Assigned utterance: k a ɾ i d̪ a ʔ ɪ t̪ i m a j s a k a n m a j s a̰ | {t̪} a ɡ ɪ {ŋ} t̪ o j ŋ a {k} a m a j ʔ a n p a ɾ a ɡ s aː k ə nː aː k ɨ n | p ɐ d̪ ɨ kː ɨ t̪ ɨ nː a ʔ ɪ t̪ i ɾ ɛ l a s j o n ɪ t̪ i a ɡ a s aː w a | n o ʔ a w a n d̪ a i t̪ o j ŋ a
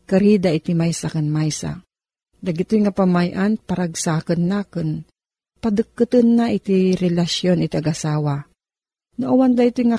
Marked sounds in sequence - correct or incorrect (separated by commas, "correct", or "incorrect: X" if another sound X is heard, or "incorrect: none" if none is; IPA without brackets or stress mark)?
incorrect: d̪, incorrect: none, incorrect: p